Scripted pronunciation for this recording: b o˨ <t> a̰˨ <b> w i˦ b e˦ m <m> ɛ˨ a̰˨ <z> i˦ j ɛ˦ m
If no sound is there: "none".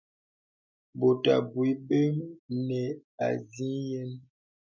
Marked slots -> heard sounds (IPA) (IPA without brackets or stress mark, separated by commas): t, b, n, z